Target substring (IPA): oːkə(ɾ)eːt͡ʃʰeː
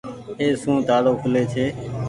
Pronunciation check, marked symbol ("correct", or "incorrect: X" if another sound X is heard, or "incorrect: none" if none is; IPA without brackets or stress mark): incorrect: l